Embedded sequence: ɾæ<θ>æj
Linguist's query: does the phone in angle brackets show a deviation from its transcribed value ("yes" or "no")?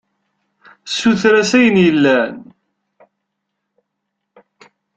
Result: yes